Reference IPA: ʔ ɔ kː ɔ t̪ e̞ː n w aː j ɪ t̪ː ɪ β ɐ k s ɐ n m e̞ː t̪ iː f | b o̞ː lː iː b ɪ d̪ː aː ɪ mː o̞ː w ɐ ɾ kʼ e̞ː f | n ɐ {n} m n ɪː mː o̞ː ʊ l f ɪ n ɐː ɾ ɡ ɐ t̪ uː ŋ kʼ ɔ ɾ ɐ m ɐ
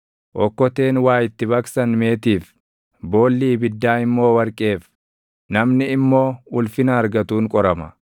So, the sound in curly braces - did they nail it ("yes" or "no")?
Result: no